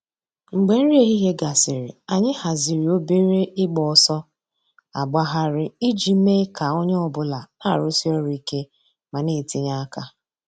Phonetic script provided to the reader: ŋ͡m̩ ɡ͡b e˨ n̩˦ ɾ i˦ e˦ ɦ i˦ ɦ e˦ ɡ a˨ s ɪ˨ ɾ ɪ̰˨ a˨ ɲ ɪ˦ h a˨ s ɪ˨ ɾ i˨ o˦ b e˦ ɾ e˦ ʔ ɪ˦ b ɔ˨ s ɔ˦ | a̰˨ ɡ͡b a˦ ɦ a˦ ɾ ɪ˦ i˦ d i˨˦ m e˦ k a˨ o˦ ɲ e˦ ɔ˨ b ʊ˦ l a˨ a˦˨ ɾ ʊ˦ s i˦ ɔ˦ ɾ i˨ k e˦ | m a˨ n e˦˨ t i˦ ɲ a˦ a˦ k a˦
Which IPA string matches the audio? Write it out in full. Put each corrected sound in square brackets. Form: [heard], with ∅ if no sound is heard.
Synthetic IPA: ŋ͡m̩ ɡ͡b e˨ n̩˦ ɾ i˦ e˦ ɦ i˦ ɦ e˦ ɡ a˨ s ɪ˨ ɾ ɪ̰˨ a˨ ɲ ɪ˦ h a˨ [z] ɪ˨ ɾ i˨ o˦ b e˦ ɾ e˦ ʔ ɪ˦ [ɡ͡b] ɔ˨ s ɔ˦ | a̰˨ ɡ͡b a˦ ɦ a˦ ɾ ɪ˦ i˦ [d͡ʒ] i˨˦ m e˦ k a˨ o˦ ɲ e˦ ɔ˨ b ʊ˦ l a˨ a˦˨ ɾ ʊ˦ s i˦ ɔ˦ ɾ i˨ k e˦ | m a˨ n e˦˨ t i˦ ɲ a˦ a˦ k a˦